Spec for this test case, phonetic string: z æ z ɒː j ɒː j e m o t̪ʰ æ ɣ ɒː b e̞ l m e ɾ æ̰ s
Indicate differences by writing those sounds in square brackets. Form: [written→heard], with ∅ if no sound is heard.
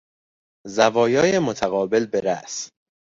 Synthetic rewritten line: z æ [z→v] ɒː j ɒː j e m o t̪ʰ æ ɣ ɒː b e̞ l [m→b] e ɾ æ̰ s